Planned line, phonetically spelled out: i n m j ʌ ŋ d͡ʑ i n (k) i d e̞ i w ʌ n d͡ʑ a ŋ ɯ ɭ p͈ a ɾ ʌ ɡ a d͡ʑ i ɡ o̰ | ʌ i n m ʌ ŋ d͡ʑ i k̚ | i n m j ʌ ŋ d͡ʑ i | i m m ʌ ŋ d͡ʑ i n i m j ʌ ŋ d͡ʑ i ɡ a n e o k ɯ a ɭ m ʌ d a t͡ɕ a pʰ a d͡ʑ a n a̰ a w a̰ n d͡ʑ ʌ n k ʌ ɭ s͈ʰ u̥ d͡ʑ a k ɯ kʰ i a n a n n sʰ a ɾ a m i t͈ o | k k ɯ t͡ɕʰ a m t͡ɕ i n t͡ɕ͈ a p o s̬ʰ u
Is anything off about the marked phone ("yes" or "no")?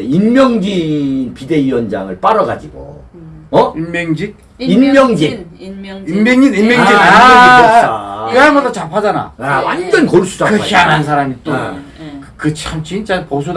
yes